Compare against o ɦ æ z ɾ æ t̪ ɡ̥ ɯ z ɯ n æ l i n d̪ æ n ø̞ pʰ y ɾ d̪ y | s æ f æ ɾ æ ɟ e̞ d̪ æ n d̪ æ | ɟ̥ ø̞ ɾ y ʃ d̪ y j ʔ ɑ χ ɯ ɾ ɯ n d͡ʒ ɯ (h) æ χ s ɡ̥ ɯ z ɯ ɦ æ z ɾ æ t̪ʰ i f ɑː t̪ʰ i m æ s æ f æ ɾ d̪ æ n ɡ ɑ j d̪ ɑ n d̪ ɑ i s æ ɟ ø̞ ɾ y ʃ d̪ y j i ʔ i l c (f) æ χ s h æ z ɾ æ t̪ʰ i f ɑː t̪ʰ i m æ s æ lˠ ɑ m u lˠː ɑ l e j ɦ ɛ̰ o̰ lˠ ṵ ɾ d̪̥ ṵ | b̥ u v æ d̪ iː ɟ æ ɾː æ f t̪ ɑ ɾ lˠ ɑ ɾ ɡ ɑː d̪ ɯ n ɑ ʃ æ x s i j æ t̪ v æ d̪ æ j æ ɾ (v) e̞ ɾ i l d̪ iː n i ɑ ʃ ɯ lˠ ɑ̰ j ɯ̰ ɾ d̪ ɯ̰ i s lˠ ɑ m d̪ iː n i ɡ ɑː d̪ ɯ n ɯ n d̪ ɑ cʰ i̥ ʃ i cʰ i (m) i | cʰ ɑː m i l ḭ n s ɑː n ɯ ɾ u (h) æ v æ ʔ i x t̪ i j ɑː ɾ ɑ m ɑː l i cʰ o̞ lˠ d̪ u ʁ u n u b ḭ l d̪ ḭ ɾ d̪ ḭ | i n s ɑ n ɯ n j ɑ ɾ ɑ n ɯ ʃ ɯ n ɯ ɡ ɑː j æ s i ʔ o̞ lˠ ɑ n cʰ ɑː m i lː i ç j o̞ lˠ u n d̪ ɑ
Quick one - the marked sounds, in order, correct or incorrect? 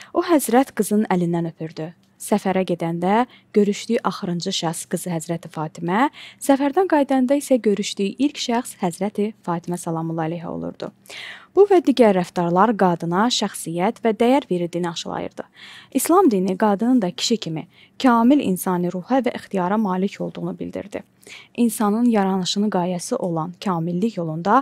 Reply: incorrect: ʃ, incorrect: ʃ, correct, correct, correct

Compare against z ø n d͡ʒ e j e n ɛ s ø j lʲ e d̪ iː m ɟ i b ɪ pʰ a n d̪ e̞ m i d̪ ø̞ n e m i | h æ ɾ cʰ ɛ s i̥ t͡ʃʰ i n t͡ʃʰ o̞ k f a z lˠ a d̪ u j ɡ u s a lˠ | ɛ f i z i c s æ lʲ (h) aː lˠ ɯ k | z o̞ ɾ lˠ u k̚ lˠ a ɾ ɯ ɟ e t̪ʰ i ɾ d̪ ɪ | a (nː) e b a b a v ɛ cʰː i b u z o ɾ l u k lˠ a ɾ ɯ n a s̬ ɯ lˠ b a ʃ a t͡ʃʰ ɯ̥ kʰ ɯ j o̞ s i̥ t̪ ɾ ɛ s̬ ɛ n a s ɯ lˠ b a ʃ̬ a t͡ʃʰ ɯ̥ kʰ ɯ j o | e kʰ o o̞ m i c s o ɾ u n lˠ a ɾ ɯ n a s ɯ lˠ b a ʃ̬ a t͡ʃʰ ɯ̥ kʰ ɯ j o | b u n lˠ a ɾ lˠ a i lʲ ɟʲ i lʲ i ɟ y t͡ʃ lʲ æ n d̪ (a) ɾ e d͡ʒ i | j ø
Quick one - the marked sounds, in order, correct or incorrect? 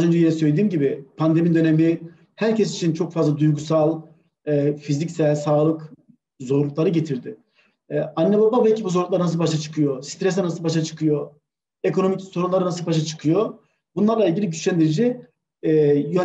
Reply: incorrect: s, correct, incorrect: i

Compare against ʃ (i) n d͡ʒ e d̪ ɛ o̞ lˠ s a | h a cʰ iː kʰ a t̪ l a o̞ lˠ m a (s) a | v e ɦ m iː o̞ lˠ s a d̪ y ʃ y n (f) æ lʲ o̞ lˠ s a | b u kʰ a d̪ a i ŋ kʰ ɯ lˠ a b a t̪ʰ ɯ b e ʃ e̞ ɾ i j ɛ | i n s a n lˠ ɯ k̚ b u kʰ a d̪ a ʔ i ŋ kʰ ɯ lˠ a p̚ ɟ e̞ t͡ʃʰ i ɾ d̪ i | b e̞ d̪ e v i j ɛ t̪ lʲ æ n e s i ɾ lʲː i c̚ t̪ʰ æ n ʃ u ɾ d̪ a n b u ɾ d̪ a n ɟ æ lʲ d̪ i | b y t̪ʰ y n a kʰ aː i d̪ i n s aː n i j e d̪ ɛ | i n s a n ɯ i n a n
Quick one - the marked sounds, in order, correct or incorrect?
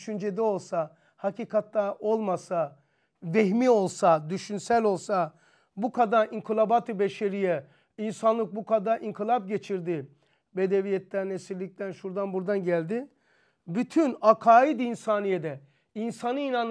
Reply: incorrect: y, correct, incorrect: s

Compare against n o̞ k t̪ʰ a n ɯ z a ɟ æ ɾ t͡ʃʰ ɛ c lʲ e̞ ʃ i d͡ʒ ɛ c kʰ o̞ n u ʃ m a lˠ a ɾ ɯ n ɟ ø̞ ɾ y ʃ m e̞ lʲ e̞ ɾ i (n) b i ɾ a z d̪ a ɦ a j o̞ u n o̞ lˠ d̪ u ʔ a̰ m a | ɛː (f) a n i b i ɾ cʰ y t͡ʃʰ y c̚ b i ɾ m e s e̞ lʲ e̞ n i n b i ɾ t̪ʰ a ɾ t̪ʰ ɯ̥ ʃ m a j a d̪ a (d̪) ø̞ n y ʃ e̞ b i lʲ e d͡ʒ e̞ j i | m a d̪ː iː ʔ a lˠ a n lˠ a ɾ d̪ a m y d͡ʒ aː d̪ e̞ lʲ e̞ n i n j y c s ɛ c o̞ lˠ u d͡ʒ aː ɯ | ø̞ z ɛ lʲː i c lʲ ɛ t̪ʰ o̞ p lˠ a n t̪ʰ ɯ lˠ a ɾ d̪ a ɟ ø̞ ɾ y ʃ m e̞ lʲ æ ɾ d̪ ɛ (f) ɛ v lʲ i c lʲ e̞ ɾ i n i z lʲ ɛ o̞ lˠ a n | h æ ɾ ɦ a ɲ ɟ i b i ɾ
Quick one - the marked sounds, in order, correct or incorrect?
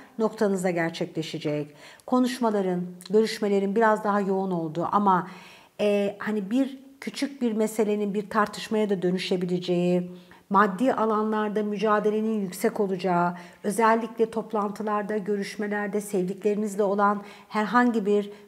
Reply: correct, incorrect: h, correct, incorrect: s

